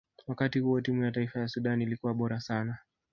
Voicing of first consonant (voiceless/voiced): voiced